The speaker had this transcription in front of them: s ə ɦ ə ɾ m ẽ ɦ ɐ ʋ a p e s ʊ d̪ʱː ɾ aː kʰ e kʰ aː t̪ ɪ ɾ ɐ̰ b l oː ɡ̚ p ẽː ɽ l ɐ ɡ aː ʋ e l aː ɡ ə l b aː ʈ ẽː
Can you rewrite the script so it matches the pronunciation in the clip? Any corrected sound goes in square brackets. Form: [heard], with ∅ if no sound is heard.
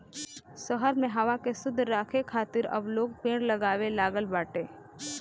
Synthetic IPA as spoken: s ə ɦ ə ɾ m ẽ ɦ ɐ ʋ a [k] e s ʊ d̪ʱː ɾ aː kʰ e kʰ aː t̪ ɪ ɾ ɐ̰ b l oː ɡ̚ p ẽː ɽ l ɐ ɡ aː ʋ e l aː ɡ ə l b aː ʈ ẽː